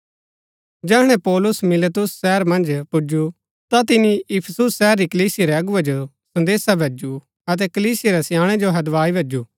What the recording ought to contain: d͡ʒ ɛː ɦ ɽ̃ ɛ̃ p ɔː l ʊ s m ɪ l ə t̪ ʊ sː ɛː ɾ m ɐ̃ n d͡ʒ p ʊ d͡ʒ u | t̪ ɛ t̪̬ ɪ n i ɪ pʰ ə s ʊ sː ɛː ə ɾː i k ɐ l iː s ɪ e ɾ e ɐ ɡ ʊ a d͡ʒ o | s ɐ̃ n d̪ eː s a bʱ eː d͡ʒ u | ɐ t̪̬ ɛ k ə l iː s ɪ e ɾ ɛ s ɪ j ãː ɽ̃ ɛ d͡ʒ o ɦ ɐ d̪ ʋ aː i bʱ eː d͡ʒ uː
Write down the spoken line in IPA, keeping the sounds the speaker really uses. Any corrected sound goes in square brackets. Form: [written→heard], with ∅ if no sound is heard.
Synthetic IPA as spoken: d͡ʒ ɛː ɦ ɽ̃ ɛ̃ p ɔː l ʊ s m ɪ l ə t̪ ʊ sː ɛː ɾ m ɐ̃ n d͡ʒ p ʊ d͡ʒ u | t̪ [ɛ→a] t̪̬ ɪ n i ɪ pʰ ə s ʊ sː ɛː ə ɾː i k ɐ l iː s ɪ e ɾ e ɐ ɡ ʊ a d͡ʒ o | s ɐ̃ n d̪ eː s a bʱ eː d͡ʒ u | ɐ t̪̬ ɛ k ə l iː s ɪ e ɾ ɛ s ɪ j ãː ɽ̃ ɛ d͡ʒ o ɦ ɐ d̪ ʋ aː i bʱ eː d͡ʒ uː

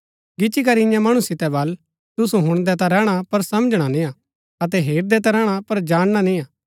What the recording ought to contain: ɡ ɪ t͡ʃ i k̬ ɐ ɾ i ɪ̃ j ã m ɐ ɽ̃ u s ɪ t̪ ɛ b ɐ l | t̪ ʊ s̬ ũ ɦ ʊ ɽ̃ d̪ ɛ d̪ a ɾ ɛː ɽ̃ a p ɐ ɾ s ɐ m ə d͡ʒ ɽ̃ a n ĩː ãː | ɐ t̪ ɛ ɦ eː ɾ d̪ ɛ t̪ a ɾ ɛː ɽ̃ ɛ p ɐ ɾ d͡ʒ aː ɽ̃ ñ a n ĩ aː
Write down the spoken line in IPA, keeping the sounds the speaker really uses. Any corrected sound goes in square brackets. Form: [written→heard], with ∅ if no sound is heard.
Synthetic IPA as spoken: ɡ ɪ t͡ʃ i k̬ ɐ ɾ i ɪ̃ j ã m ɐ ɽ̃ u s ɪ t̪ ɛ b ɐ l | t̪ ʊ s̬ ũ ɦ ʊ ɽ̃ d̪ ɛ [d̪→t̪] a ɾ ɛː ɽ̃ a p ɐ ɾ s ɐ m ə d͡ʒ ɽ̃ a n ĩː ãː | ɐ t̪ ɛ ɦ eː ɾ d̪ ɛ t̪ a ɾ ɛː ɽ̃ [ɛ→a] p ɐ ɾ d͡ʒ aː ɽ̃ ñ a n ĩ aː

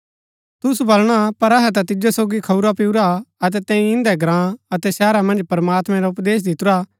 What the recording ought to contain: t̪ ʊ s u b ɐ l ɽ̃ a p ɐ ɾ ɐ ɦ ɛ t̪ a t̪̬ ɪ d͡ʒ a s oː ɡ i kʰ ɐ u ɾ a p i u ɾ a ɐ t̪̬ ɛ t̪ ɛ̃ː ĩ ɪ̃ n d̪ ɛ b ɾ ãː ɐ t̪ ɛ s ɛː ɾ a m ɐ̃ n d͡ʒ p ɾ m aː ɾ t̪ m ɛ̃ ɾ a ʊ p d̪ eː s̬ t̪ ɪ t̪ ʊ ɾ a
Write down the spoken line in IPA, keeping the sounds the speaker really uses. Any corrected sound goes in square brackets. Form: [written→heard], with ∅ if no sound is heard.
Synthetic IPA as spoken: t̪ ʊ s u b ɐ l ɽ̃ a p ɐ ɾ ɐ ɦ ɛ t̪ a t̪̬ ɪ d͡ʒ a s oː ɡ i kʰ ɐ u ɾ a p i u ɾ a ɐ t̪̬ ɛ t̪ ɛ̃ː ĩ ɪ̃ n d̪ ɛ [b→ɡ] ɾ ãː ɐ t̪ ɛ s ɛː ɾ a m ɐ̃ n d͡ʒ p ɾ m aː [ɾ→∅] t̪ m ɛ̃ ɾ a ʊ p d̪ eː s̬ [t̪→d̪] ɪ t̪ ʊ ɾ a

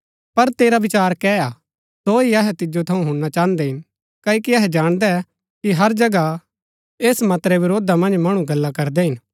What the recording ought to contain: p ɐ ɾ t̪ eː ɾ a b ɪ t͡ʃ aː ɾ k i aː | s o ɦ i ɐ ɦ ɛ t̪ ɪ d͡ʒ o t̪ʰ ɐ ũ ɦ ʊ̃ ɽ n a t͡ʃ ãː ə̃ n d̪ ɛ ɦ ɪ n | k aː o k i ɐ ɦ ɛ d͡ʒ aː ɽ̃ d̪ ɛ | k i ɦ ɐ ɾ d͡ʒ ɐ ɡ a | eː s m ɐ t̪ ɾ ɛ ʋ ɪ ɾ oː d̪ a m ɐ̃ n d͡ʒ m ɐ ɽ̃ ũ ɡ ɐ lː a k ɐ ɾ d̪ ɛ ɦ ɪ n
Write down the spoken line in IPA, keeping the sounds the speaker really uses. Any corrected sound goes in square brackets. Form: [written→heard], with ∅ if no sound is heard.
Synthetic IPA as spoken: p ɐ ɾ t̪ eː ɾ a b ɪ t͡ʃ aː ɾ k [i→ɛ] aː | s o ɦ i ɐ ɦ ɛ t̪ ɪ d͡ʒ o t̪ʰ ɐ ũ ɦ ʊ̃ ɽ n a t͡ʃ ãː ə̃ n d̪ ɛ ɦ ɪ n | k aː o k i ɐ ɦ ɛ d͡ʒ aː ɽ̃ d̪ ɛ | k i ɦ ɐ ɾ d͡ʒ ɐ ɡ a | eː s m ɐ t̪ ɾ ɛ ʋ ɪ ɾ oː d̪ a m ɐ̃ n d͡ʒ m ɐ ɽ̃ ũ ɡ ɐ lː a k ɐ ɾ d̪ ɛ ɦ ɪ n

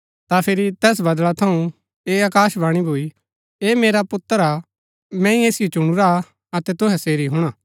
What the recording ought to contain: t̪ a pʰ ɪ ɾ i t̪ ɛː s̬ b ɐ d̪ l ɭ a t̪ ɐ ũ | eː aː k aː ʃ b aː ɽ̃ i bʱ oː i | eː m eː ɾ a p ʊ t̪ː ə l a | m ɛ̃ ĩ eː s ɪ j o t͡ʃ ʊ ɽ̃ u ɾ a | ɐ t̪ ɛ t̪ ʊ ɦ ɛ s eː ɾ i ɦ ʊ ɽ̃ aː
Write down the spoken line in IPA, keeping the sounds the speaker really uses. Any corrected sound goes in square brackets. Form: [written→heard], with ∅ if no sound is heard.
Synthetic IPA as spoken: t̪ a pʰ ɪ ɾ i t̪ ɛː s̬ b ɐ d̪ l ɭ a [t̪→t̪ʰ] ɐ ũ | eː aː k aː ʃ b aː ɽ̃ i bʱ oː i | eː m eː ɾ a p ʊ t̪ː ə [l→ɾ] a | m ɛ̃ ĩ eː s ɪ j o t͡ʃ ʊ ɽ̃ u ɾ a | ɐ t̪ ɛ t̪ ʊ ɦ ɛ s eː ɾ i ɦ ʊ ɽ̃ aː

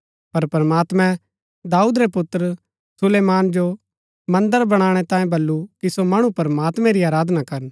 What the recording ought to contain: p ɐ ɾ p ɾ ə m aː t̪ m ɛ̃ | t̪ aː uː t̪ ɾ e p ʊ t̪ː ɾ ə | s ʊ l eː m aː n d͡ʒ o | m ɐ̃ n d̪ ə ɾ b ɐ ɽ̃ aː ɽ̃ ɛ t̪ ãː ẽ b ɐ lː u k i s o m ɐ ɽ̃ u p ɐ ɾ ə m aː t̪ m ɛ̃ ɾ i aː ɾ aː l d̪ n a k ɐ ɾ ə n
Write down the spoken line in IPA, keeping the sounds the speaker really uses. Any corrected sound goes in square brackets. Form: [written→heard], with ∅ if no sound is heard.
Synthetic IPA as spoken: p ɐ ɾ p ɾ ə m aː t̪ m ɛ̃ | [t̪→d̪] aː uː [t̪→d̪] ɾ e p ʊ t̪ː ɾ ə | s ʊ l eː m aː n d͡ʒ o | m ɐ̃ n d̪ ə ɾ b ɐ ɽ̃ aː ɽ̃ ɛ t̪ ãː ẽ b ɐ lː u k i s o m ɐ ɽ̃ u p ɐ ɾ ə m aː t̪ m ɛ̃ ɾ i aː ɾ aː [l→∅] d̪ n a k ɐ ɾ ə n

